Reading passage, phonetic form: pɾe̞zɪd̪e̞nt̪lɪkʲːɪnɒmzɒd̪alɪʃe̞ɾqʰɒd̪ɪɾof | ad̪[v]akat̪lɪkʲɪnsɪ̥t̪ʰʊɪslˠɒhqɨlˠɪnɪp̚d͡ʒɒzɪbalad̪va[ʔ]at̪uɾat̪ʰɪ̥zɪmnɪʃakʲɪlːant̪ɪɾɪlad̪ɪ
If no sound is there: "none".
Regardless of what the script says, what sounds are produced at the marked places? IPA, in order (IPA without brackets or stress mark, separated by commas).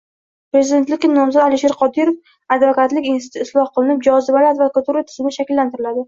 v, k